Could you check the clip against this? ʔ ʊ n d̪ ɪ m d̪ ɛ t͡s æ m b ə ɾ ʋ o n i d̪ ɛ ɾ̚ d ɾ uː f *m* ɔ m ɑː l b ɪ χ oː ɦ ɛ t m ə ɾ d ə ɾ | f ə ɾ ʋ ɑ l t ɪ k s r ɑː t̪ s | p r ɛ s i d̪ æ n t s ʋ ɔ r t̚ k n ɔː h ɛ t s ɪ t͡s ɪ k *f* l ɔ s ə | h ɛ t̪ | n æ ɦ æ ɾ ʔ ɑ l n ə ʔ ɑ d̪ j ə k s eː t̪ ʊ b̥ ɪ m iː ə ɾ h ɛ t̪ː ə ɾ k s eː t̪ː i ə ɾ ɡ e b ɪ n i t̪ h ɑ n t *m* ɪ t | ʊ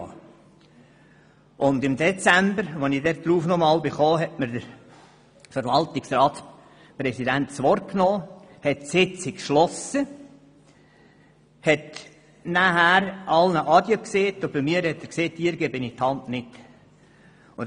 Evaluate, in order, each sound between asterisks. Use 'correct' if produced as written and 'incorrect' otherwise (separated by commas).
incorrect, incorrect, incorrect